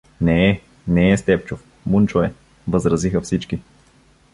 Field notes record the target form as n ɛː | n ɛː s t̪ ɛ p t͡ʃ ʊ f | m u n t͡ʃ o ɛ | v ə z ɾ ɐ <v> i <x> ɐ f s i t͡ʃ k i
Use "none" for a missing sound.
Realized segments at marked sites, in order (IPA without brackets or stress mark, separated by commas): z, x